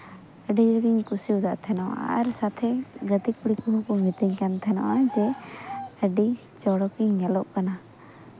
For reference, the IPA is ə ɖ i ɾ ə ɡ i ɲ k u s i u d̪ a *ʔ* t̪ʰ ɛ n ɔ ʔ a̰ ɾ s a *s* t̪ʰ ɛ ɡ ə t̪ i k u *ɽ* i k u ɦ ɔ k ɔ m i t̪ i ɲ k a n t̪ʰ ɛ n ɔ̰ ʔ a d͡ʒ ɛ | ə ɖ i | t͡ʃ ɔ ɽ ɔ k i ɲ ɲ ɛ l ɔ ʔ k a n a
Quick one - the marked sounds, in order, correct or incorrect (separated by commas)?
correct, incorrect, correct